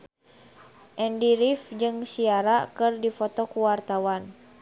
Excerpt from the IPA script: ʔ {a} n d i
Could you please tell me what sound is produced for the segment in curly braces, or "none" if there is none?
ɛ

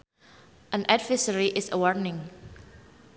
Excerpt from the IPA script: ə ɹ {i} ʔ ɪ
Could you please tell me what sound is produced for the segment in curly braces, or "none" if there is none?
i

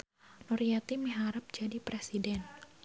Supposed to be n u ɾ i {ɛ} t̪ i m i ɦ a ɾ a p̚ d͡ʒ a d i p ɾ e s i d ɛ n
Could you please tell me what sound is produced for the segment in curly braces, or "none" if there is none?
a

